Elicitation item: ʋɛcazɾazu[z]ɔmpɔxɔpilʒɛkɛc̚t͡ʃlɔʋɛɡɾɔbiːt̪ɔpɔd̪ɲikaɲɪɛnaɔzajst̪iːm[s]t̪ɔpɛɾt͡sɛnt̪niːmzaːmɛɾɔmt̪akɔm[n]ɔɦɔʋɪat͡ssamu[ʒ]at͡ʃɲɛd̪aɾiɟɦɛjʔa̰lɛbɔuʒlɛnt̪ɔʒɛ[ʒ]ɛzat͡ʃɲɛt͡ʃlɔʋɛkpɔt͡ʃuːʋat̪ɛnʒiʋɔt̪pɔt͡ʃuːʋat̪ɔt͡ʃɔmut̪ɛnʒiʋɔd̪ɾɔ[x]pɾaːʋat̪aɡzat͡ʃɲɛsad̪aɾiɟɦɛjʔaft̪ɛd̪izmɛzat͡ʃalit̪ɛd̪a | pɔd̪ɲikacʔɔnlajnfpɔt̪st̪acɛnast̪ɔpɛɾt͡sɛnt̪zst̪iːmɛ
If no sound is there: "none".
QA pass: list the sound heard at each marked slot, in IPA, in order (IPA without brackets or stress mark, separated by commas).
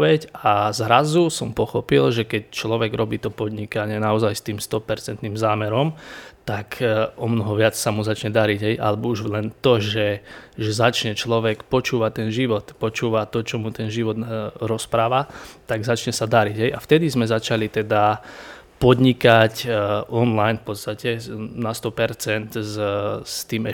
s, s, n, z, ʒ, s